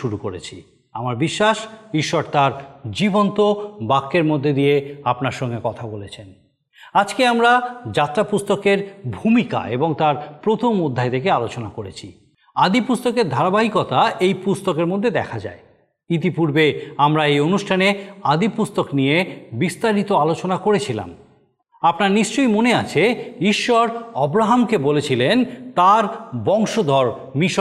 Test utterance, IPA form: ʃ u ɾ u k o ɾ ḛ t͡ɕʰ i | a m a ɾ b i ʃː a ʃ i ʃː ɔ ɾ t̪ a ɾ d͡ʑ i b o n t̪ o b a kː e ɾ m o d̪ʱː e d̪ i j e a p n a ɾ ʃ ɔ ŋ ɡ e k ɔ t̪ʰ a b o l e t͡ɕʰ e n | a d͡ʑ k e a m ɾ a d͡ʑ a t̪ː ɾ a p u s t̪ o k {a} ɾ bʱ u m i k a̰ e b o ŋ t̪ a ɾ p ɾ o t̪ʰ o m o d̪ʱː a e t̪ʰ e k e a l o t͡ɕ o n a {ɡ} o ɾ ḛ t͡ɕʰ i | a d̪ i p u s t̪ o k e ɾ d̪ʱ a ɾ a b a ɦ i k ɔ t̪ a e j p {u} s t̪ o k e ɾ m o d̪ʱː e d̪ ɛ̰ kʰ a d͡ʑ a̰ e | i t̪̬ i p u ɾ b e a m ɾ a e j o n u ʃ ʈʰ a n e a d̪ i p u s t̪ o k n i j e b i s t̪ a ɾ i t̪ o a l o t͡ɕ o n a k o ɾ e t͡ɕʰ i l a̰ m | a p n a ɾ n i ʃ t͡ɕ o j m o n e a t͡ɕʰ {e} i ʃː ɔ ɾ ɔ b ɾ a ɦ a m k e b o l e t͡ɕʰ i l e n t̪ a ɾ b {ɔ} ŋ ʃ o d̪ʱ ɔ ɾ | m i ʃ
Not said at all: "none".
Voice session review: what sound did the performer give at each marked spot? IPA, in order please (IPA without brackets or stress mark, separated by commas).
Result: e, k, u, e, ɔ